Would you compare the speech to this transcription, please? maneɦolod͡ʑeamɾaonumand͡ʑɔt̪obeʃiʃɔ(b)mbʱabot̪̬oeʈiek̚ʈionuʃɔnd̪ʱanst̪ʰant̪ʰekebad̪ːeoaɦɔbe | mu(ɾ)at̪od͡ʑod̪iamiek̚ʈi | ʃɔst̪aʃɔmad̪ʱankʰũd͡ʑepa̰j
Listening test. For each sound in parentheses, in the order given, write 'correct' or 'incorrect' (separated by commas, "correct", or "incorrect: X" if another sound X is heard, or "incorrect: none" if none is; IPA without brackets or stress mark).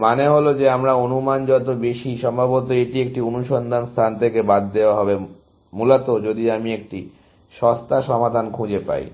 incorrect: none, incorrect: l